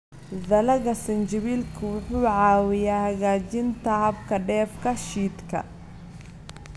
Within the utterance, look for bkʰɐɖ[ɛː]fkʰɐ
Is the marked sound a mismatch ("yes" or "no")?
no